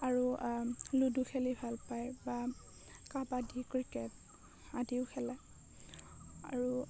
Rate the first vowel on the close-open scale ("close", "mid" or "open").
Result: open